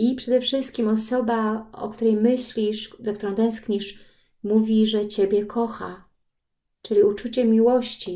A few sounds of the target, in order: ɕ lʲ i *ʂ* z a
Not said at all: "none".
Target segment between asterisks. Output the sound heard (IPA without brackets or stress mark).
ʂ